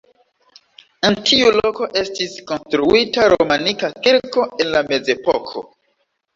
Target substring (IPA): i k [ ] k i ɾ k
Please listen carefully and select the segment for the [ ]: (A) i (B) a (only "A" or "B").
B